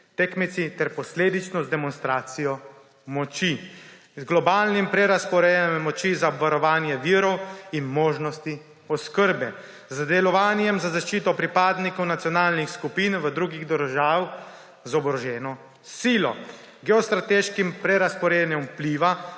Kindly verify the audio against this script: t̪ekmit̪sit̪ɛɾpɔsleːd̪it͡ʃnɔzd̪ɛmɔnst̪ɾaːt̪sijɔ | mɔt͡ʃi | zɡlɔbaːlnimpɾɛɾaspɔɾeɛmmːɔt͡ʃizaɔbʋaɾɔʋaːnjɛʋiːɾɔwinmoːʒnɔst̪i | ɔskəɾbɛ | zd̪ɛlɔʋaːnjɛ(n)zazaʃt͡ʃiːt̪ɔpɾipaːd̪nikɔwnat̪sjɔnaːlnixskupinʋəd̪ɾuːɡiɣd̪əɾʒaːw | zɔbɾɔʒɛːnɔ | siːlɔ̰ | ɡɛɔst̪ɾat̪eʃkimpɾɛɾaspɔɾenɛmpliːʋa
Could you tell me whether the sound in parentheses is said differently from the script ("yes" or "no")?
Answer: yes